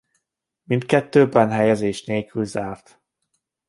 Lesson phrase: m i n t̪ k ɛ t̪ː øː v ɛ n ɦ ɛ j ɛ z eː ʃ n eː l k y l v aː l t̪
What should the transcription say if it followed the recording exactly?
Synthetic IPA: m i n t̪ k ɛ t̪ː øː b ɛ n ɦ ɛ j ɛ z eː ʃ n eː l k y l z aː r t̪